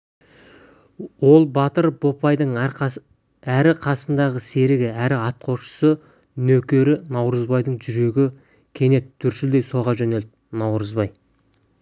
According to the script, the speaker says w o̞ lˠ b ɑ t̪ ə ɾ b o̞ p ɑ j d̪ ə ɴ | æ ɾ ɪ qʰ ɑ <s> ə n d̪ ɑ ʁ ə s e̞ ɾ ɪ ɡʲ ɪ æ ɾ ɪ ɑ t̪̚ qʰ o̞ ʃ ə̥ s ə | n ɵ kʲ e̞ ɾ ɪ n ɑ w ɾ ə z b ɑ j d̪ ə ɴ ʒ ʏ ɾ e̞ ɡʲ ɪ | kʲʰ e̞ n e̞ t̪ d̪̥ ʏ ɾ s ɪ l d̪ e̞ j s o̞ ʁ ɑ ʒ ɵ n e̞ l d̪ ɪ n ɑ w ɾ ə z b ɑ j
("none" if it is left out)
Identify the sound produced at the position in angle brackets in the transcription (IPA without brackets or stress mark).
s